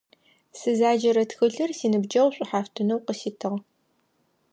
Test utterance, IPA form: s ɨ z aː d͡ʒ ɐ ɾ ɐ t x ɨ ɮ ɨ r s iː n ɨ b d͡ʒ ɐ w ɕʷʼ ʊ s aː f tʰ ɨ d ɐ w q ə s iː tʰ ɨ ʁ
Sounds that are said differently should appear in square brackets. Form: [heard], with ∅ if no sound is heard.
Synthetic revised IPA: s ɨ z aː d͡ʒ ɐ ɾ ɐ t x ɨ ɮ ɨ r s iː n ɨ b d͡ʒ ɐ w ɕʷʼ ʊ [ħ] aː f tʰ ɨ [n] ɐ w q ə s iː tʰ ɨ ʁ